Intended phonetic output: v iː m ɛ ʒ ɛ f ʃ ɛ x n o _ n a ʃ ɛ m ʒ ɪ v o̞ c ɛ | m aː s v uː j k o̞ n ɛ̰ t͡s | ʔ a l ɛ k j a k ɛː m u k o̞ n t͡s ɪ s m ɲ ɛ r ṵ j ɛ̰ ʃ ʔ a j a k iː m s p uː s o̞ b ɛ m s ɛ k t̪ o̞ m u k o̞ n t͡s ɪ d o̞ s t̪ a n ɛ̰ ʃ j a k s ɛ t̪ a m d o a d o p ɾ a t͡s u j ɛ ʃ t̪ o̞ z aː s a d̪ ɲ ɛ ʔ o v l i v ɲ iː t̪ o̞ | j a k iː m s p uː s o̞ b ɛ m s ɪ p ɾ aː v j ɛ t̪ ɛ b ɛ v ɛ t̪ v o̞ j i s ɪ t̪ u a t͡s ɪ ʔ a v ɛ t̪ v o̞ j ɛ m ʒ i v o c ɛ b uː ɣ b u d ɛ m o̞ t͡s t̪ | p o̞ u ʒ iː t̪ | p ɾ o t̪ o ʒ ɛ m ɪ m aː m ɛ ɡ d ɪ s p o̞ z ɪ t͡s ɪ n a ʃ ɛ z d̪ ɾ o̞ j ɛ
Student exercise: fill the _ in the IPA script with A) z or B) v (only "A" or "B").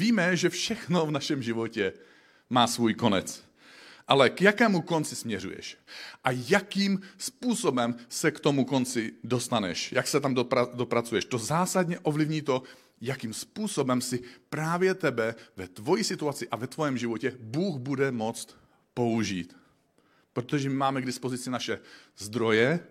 B